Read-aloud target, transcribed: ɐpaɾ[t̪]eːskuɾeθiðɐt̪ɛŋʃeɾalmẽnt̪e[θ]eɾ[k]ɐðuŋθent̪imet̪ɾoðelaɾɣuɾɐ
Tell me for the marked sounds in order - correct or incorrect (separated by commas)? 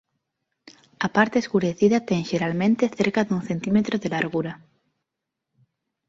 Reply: correct, correct, correct